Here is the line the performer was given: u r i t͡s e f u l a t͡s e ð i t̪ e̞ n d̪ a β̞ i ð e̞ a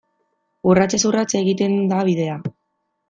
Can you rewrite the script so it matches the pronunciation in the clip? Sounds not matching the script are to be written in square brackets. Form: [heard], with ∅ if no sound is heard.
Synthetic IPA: u r [a] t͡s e [s] u [r] a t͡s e [ɣ] i t̪ e̞ n d̪ a β̞ i ð e̞ a